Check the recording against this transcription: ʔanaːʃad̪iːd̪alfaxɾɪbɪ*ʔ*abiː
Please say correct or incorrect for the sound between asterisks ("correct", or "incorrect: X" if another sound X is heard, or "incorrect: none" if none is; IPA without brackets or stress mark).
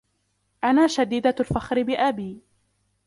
correct